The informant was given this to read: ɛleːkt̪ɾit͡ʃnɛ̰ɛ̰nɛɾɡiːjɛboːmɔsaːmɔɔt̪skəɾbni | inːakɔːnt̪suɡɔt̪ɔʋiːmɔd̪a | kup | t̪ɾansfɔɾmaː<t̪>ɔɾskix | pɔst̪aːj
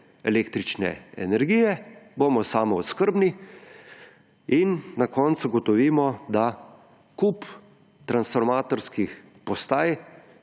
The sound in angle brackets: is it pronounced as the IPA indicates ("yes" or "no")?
yes